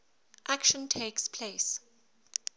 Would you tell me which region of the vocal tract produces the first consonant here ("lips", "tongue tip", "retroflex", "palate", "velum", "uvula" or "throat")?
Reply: throat